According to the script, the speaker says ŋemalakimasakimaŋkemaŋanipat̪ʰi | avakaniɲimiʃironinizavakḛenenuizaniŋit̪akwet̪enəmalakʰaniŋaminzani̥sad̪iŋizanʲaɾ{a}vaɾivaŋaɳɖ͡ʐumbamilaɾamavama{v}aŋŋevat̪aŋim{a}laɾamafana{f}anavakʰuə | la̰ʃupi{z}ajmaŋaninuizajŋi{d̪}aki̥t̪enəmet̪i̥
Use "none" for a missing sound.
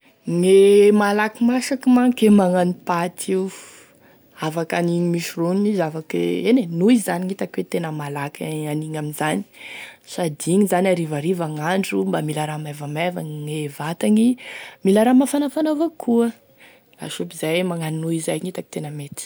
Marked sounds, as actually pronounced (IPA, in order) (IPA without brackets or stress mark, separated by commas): i, v, i, f, z, t̪